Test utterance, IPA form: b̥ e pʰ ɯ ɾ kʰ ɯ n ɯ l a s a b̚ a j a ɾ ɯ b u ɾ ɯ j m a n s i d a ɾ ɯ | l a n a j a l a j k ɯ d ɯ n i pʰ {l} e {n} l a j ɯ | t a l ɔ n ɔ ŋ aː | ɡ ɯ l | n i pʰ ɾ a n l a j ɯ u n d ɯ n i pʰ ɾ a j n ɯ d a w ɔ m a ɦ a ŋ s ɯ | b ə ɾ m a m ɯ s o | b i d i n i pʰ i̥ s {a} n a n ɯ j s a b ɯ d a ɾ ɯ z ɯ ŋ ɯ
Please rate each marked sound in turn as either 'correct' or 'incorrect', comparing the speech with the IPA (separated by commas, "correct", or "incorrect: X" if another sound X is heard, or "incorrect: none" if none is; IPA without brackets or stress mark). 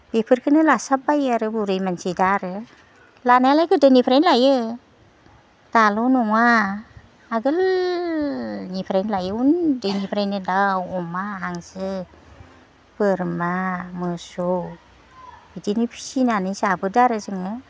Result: incorrect: ɾ, correct, incorrect: i